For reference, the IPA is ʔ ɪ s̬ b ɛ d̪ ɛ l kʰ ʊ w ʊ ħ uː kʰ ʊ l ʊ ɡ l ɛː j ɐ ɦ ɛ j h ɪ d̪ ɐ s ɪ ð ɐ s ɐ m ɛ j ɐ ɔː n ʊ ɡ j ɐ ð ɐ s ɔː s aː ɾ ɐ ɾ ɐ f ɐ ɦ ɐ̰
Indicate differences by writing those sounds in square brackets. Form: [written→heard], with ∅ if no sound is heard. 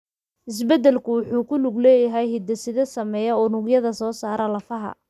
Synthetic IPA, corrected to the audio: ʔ ɪ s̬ b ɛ d̪ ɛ l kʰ ʊ w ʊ ħ uː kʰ ʊ l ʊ ɡ l ɛː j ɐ ɦ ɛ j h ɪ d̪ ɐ s ɪ ð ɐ s ɐ m ɛ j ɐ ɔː n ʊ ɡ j ɐ ð ɐ s ɔː s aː ɾ ɐ [ɾ→l] ɐ f ɐ ɦ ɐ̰